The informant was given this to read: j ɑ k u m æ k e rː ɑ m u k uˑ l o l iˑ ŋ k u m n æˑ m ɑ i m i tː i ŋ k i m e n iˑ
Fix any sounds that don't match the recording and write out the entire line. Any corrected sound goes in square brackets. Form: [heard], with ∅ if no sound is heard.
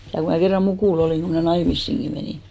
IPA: j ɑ k u m æ k e rː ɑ m u k uˑ l o l iˑ ŋ k u m n æˑ [n] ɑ i m i [sː] i ŋ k i m e n iˑ